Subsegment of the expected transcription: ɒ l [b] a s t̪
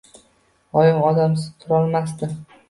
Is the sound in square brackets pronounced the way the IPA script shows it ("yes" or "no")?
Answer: no